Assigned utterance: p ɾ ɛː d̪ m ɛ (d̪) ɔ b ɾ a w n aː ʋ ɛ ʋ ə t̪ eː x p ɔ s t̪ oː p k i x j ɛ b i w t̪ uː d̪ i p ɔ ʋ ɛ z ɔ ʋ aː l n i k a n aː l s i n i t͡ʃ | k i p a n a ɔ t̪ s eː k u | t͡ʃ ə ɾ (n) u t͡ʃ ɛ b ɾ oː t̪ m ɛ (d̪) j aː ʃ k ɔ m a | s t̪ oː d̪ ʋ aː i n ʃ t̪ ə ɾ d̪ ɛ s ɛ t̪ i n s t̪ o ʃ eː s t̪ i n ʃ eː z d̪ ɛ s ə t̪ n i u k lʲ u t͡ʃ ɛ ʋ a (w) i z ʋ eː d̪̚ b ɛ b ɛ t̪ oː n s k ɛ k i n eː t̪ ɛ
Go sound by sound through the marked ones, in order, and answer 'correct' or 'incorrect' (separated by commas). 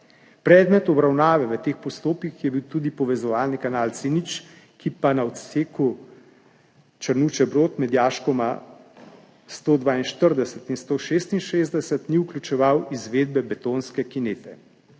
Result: incorrect, correct, correct, correct